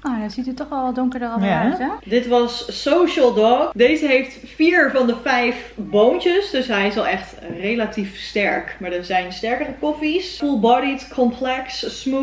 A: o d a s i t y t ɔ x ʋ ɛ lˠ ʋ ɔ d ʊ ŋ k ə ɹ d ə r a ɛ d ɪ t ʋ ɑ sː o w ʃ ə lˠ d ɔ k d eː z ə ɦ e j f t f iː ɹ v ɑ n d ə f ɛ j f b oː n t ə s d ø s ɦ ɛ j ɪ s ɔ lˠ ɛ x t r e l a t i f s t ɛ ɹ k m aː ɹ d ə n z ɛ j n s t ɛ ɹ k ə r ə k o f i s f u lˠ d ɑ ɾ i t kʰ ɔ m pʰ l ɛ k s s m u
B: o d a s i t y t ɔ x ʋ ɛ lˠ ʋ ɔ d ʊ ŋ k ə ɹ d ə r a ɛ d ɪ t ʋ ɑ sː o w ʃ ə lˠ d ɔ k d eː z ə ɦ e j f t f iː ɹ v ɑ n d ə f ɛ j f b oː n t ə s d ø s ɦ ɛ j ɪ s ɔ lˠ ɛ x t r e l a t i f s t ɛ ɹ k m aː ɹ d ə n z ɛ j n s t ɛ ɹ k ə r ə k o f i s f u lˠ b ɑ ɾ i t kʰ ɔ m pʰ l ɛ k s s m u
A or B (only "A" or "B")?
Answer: B